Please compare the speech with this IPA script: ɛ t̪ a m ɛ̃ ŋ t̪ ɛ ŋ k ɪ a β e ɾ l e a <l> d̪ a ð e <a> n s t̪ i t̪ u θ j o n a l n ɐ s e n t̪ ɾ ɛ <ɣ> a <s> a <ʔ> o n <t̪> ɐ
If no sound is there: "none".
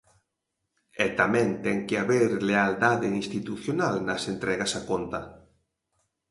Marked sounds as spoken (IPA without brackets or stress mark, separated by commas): l, i, ɣ, s, k, t̪